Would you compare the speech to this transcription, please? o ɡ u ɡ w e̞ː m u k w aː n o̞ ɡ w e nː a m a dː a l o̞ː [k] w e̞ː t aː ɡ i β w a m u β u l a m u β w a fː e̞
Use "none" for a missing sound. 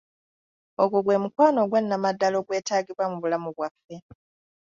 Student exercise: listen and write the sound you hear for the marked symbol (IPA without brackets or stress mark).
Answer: ɡ